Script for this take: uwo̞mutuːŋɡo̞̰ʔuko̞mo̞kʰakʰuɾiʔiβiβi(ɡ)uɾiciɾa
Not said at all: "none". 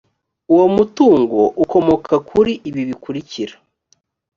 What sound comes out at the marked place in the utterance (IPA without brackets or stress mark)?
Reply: k